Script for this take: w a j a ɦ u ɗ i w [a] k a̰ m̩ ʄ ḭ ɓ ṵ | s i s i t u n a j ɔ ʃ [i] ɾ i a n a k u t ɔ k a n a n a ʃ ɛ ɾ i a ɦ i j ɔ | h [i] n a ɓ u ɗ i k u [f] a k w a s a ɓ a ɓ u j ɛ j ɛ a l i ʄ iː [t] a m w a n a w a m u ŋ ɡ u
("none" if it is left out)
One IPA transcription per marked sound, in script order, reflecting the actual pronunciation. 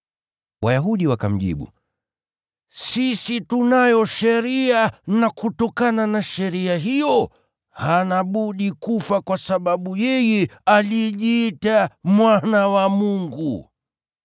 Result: a, ɛ, a, f, t

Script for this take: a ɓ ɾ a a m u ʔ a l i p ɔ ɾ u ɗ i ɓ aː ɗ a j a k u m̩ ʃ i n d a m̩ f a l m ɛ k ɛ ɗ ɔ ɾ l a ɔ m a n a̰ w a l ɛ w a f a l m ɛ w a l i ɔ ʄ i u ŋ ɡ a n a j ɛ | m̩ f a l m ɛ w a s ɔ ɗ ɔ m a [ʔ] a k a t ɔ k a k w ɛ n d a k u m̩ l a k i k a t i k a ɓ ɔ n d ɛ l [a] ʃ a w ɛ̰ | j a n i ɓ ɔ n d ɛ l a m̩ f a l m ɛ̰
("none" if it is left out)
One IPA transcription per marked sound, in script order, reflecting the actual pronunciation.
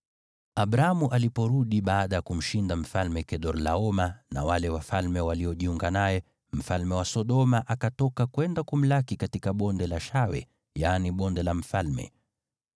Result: ʔ, a

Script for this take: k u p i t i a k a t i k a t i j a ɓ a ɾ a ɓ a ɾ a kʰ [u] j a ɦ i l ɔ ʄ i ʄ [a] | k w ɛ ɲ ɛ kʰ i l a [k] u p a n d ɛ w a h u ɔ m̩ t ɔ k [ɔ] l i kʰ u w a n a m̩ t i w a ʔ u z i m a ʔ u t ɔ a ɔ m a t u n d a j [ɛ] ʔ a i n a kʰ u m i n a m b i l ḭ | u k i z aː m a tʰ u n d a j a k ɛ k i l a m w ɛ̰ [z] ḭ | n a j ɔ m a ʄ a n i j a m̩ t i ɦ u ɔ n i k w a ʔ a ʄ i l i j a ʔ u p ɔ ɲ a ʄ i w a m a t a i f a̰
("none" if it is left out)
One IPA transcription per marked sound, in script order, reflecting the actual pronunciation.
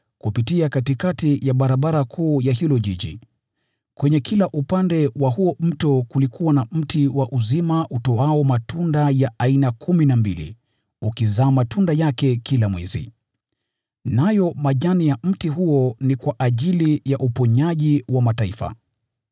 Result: uː, i, ʔ, u, a, z

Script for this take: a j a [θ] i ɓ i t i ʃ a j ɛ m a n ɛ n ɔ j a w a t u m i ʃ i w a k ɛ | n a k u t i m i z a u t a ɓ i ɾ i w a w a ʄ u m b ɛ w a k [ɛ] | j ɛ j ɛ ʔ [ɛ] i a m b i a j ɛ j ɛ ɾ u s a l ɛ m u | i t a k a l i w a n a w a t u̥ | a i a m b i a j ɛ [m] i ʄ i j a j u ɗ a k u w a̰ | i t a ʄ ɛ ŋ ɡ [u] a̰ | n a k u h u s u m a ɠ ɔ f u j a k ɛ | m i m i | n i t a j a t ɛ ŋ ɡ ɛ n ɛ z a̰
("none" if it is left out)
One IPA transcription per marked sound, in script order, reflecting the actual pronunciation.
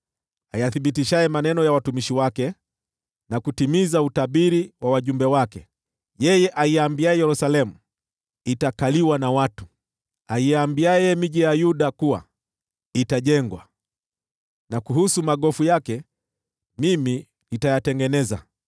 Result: θ, ɛ, a, m, w

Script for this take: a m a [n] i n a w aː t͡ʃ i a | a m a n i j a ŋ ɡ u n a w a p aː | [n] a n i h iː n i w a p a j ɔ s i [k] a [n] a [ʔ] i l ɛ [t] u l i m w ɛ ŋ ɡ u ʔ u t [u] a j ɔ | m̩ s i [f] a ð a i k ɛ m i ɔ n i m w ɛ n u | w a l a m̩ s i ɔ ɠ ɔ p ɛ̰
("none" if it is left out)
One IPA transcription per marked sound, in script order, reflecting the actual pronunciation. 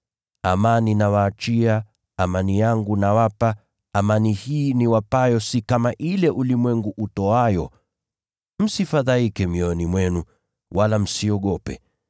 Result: n, m, k, m, ʔ, ʔ, ɔ, f

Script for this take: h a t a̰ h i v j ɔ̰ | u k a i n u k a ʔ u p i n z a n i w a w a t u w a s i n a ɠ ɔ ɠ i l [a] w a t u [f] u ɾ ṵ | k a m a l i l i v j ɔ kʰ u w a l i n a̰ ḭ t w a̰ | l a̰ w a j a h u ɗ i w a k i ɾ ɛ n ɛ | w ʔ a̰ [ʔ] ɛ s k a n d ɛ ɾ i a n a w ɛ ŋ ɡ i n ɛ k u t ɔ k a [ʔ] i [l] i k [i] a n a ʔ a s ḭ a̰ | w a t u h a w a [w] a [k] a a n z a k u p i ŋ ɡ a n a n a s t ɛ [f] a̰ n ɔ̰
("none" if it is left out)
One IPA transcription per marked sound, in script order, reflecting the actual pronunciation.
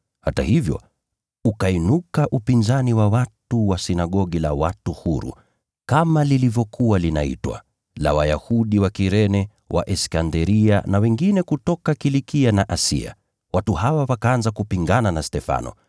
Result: a, h, ʔ, k, l, i, w, k, f

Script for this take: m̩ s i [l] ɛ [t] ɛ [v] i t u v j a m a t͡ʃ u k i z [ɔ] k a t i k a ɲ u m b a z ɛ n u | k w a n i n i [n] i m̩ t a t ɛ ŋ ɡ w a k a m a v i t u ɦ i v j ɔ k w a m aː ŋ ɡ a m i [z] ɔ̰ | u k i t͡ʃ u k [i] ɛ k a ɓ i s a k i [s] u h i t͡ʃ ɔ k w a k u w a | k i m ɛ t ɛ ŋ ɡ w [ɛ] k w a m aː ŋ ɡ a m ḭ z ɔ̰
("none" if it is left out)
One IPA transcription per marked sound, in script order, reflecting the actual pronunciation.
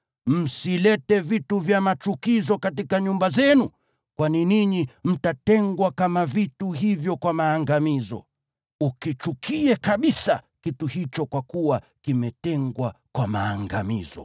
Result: l, t, v, ɔ, ɲ, z, i, t, a

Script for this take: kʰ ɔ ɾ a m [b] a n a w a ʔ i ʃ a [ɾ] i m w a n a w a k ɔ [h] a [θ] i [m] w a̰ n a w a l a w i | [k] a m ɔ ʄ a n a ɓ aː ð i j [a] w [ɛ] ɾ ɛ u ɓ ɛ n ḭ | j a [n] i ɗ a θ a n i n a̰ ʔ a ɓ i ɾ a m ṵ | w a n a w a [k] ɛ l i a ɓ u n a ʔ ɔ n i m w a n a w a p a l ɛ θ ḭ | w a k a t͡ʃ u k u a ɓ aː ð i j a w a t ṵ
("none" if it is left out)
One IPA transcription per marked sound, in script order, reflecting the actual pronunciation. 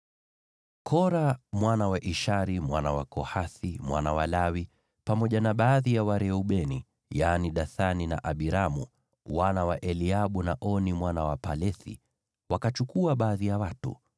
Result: w, ɾ, h, θ, m, p, a, a, n, ʔ

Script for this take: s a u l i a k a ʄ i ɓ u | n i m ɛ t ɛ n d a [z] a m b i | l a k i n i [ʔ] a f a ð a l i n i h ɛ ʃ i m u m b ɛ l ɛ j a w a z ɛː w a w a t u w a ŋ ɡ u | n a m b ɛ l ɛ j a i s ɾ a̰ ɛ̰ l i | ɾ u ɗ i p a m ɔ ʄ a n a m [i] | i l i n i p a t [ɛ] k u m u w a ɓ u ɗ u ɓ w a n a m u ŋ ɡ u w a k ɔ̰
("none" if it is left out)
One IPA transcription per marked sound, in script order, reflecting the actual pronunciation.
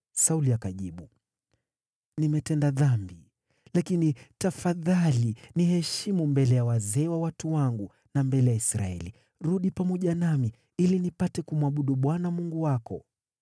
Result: ð, t, i, ɛ

